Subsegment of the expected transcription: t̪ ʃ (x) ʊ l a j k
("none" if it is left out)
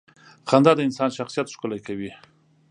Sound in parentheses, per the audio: k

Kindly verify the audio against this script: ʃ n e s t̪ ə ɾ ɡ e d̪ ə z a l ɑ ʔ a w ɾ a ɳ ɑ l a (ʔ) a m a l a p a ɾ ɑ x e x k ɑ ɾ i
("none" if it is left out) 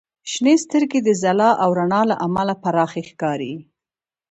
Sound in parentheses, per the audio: ʔ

